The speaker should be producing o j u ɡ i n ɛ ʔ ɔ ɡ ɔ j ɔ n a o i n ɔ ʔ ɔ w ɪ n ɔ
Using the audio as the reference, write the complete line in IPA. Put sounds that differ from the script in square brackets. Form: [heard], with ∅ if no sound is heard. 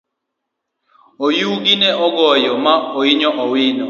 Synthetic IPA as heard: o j u ɡ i n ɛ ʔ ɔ ɡ ɔ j ɔ [m] a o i [ɲ] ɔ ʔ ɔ w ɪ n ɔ